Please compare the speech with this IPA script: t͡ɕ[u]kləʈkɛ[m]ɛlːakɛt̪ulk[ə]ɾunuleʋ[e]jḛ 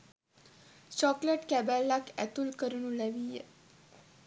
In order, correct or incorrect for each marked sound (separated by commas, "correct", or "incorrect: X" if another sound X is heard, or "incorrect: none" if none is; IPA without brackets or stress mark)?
incorrect: ɔ, incorrect: b, correct, incorrect: i